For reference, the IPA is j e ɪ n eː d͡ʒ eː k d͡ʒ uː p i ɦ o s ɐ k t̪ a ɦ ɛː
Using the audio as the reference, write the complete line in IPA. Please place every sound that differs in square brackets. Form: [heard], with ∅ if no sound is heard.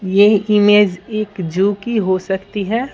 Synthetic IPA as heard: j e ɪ [m] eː d͡ʒ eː k d͡ʒ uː [k] i ɦ o s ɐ k t̪ [i] ɦ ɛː